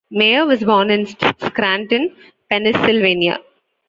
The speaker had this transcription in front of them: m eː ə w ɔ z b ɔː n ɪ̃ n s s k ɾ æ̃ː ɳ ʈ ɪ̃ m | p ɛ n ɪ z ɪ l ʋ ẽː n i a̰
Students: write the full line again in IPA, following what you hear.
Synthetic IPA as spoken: m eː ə ʋ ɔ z b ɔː n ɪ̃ n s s k ɾ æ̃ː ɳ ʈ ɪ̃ n | p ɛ n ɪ s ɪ l ʋ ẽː n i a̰